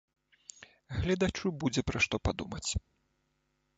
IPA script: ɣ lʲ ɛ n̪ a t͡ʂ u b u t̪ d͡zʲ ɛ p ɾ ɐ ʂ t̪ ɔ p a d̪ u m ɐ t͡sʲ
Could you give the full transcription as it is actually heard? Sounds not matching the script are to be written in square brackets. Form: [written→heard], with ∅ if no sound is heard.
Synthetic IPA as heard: ɣ lʲ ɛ [n̪→d̪] a t͡ʂ u b u [t̪→∅] d͡zʲ ɛ p ɾ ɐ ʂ t̪ ɔ p a d̪ u m ɐ t͡sʲ